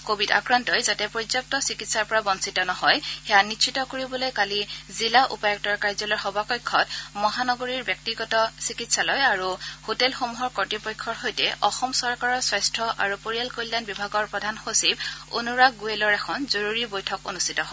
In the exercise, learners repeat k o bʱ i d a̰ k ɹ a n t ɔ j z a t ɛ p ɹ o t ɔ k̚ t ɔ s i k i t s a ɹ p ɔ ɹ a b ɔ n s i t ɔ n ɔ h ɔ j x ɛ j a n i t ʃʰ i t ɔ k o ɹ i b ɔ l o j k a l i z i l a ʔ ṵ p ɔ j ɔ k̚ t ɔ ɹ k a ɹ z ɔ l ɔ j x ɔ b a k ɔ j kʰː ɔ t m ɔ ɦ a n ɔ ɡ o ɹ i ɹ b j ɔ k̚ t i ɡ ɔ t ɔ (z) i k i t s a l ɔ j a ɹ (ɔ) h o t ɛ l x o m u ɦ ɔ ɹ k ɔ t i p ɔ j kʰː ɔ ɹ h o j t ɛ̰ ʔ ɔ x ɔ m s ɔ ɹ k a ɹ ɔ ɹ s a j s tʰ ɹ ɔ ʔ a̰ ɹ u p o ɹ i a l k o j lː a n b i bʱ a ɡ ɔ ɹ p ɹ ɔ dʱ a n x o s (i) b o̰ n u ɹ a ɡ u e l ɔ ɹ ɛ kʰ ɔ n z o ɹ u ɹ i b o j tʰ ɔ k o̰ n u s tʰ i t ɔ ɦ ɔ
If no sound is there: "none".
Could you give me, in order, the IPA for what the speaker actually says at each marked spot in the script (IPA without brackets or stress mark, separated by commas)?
s, u, i